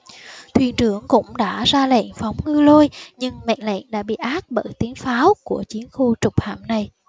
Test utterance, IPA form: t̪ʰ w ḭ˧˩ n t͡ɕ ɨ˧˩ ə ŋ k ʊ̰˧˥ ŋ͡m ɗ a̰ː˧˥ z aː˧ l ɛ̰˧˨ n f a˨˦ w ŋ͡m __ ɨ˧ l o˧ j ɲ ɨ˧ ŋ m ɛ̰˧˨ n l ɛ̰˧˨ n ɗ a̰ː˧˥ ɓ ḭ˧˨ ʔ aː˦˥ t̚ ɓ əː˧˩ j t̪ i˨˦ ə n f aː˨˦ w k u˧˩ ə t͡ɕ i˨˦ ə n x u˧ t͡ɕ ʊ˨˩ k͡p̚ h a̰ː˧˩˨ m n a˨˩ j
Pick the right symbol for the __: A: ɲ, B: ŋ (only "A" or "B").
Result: B